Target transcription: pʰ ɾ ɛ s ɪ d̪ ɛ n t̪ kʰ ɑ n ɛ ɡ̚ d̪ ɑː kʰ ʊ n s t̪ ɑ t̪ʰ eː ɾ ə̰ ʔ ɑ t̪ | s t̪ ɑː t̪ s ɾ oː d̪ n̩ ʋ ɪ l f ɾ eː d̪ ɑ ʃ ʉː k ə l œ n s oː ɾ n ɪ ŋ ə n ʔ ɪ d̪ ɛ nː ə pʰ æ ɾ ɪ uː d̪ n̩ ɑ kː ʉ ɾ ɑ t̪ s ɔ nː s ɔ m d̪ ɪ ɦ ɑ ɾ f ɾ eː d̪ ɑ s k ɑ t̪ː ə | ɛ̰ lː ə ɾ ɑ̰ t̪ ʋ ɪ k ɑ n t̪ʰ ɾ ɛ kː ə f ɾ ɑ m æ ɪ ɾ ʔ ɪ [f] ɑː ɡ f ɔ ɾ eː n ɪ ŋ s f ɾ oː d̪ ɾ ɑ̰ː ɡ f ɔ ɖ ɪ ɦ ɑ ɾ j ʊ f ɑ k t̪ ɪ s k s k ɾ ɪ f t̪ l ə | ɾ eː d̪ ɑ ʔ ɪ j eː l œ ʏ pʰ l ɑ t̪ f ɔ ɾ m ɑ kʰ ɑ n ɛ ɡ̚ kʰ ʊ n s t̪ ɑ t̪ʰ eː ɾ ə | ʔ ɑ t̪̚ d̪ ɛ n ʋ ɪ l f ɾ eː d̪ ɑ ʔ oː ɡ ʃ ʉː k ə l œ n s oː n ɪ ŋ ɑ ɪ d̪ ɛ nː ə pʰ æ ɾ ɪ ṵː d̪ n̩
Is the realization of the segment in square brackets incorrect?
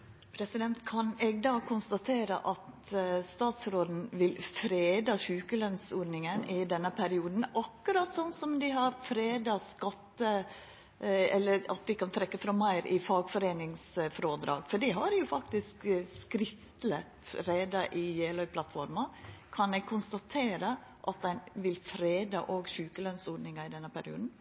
no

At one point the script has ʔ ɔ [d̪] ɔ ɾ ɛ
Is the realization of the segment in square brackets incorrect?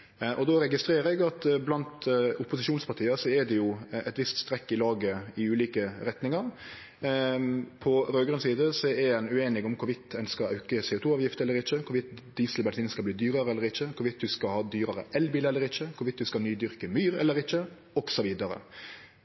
no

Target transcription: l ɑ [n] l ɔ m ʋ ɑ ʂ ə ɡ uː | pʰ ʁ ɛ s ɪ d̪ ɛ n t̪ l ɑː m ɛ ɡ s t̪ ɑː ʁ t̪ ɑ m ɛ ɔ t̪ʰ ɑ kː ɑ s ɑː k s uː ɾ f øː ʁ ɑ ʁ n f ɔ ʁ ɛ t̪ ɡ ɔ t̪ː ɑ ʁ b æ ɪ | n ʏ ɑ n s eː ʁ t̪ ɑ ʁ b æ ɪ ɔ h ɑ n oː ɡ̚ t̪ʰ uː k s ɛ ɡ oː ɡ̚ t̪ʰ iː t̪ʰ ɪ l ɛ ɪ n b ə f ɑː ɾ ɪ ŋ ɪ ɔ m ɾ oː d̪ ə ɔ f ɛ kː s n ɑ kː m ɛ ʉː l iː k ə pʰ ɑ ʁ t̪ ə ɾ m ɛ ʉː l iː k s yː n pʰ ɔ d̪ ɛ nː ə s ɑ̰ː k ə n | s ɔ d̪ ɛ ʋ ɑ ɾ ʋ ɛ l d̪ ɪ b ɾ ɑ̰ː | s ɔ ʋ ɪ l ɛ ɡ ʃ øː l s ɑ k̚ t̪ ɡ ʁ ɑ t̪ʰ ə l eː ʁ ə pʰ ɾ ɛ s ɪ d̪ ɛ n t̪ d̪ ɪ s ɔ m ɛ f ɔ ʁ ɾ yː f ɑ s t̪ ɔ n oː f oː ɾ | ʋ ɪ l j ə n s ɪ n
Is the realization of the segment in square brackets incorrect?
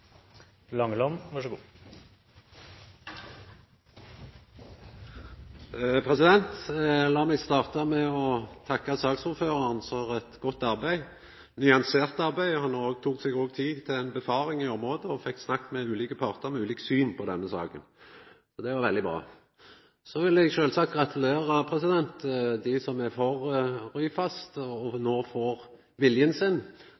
yes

